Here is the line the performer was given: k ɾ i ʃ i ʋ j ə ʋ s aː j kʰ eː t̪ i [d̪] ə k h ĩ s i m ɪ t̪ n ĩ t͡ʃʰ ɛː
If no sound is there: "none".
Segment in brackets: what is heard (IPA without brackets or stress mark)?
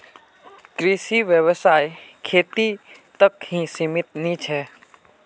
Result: t̪